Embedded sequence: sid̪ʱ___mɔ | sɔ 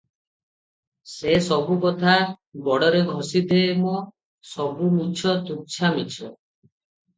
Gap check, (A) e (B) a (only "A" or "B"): A